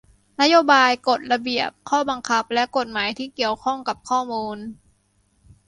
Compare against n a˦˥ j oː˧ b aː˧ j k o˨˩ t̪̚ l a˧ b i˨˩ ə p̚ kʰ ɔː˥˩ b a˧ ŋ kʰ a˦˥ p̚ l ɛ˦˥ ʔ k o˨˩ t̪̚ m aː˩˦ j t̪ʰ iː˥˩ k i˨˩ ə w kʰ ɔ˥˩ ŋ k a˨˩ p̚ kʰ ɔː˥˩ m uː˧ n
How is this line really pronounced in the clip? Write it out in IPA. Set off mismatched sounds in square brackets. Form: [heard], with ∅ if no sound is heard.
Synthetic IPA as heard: n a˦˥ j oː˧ b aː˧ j k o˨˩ t̪̚ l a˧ b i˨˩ ə p̚ kʰ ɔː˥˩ b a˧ ŋ kʰ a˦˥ p̚ l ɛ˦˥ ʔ k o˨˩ t̪̚ m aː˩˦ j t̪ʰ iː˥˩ k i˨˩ ə w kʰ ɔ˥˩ ŋ k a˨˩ p̚ kʰ ɔː˥˩ m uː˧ n

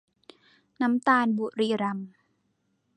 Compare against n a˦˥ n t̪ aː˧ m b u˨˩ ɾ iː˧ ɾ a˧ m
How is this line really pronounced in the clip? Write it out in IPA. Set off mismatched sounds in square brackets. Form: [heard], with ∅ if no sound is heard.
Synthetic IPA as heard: n a˦˥ [m] t̪ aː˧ [n] b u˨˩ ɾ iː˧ ɾ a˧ m

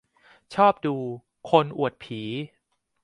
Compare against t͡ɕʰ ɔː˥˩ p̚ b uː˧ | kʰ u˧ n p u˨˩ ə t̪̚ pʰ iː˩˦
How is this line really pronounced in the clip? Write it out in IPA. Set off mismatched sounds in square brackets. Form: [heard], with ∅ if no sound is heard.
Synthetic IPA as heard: t͡ɕʰ ɔː˥˩ p̚ [d] uː˧ | kʰ [o˧] n [ʔ] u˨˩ ə t̪̚ pʰ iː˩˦

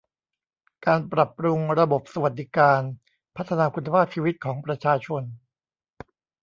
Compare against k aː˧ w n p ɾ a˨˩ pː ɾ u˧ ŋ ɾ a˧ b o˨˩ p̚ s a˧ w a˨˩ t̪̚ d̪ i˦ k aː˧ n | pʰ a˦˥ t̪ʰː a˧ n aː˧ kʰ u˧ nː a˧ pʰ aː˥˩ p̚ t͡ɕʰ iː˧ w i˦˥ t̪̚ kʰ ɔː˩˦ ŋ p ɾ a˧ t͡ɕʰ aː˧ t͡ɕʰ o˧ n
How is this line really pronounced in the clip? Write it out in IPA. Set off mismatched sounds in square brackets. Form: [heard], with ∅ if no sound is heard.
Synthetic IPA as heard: k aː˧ [∅] n p ɾ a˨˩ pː ɾ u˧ ŋ ɾ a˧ b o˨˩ p̚ s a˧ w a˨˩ t̪̚ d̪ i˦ k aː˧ n | pʰ a˦˥ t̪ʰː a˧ n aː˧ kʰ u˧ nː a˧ pʰ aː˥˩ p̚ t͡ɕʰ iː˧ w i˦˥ t̪̚ kʰ ɔː˩˦ ŋ p ɾ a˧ t͡ɕʰ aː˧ t͡ɕʰ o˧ n

